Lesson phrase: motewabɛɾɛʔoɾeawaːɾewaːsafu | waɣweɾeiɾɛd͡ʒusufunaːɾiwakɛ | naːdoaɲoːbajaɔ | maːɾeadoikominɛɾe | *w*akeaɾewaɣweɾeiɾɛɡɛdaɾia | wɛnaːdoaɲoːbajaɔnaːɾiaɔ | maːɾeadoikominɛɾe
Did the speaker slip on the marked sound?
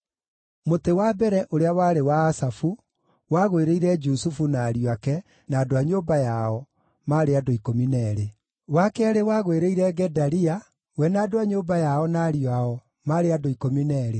no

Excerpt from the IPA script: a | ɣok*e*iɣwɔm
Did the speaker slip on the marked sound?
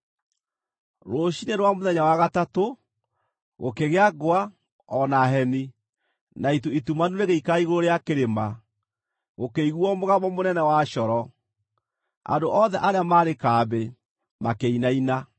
no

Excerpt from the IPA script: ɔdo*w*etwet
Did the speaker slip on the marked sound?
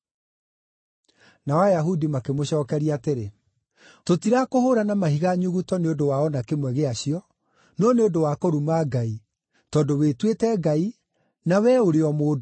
no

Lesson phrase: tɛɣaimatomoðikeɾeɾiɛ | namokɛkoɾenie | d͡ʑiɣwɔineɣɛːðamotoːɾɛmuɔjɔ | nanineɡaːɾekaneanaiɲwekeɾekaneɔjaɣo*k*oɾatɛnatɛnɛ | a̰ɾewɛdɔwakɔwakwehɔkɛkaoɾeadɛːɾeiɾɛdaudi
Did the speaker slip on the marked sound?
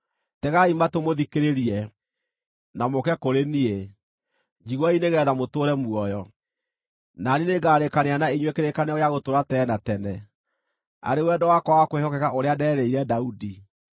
yes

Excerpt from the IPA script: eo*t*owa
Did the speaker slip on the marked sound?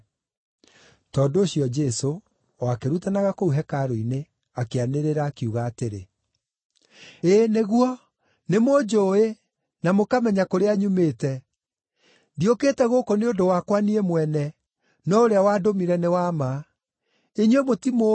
yes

